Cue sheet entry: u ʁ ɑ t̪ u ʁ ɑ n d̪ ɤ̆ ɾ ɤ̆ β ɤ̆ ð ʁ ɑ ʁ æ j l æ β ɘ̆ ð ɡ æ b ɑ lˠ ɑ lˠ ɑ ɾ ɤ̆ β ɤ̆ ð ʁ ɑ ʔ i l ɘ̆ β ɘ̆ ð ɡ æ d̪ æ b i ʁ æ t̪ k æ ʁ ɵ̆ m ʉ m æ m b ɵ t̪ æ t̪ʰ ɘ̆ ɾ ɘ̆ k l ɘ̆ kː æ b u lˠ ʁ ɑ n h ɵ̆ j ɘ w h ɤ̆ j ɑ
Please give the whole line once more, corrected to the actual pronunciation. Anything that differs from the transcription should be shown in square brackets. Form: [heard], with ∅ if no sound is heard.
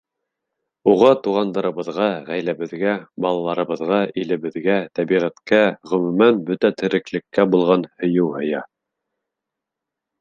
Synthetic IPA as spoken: u ʁ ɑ t̪ u ʁ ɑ n d̪ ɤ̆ ɾ ɤ̆ β ɤ̆ ð ʁ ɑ ʁ æ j l æ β ɘ̆ ð ɡ æ b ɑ lˠ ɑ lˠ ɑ ɾ ɤ̆ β ɤ̆ ð ʁ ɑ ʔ i l ɘ̆ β ɘ̆ ð ɡ æ [t̪] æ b i ʁ æ t̪ k æ ʁ ɵ̆ m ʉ m æ [n] b ɵ t̪ æ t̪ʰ ɘ̆ ɾ ɘ̆ k l ɘ̆ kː æ b u lˠ ʁ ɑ n h ɵ̆ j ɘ w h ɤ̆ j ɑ